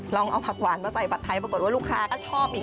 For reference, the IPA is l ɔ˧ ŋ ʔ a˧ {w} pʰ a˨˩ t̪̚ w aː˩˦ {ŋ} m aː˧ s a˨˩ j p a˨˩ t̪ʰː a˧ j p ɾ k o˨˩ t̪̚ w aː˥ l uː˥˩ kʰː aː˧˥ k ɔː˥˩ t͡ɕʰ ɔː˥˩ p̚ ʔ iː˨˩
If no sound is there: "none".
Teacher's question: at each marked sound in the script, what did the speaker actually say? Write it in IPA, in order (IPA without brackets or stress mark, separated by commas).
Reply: w, n